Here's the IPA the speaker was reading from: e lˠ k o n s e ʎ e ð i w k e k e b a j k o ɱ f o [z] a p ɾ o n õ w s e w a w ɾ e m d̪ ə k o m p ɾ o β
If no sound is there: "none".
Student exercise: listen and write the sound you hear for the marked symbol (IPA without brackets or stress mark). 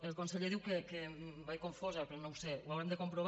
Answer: z